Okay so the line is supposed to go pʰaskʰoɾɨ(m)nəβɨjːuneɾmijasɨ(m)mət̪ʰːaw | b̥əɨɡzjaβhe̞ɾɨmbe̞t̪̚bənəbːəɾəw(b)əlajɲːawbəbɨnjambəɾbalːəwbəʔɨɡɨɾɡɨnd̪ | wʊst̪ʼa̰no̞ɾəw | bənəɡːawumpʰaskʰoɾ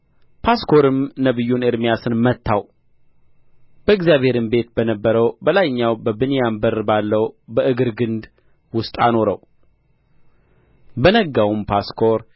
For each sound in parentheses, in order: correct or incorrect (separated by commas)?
correct, incorrect, correct